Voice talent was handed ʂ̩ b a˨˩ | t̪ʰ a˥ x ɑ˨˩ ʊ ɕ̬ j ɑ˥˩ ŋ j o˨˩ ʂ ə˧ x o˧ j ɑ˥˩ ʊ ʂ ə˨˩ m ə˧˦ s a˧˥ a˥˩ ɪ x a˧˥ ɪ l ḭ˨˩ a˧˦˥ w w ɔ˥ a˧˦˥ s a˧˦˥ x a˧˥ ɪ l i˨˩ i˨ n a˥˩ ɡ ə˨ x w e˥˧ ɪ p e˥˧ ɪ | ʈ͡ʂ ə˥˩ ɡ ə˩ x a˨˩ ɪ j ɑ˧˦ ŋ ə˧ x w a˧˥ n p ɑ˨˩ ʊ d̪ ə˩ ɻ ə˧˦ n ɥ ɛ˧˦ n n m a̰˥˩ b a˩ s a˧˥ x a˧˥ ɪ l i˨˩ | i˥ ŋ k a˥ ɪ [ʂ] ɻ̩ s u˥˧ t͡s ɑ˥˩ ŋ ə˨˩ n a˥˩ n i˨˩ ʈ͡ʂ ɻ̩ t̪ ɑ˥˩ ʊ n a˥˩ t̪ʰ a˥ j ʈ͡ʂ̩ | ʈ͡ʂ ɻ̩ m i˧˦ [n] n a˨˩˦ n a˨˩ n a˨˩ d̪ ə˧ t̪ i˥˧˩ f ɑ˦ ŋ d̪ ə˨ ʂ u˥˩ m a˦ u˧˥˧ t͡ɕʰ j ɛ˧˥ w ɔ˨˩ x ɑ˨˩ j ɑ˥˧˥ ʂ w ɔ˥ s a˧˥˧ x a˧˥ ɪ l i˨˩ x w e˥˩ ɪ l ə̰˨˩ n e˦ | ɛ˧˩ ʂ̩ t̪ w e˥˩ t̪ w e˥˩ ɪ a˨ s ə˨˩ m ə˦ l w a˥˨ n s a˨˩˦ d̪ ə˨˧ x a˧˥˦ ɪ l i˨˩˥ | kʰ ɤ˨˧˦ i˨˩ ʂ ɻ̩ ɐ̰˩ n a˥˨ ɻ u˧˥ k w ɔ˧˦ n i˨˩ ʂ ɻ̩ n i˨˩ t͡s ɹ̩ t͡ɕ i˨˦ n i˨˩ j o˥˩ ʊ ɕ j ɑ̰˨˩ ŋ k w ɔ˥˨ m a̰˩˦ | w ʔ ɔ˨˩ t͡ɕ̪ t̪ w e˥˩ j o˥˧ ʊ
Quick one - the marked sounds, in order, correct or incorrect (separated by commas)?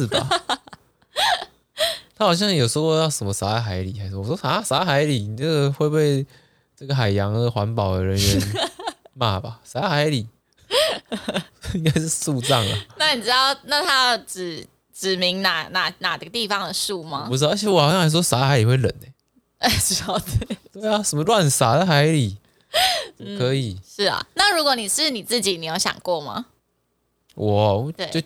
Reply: correct, incorrect